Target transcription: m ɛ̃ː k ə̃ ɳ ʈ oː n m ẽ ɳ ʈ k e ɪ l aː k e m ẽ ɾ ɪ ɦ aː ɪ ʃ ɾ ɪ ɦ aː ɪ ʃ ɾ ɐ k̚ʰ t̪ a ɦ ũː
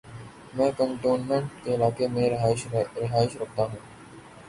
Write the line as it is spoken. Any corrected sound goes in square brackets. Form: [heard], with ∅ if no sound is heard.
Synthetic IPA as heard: m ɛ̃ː k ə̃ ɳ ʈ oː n m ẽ ɳ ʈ k e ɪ l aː k e m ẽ ɾ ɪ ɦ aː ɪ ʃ ɾ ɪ ɦ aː ɪ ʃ ɾ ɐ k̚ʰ t̪ a ɦ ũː